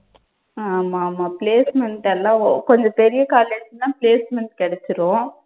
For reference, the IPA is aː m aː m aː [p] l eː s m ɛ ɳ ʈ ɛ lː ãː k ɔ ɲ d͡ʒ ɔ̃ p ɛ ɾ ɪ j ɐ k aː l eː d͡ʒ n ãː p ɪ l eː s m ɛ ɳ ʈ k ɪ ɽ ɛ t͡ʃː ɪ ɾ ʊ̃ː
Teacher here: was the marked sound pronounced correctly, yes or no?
yes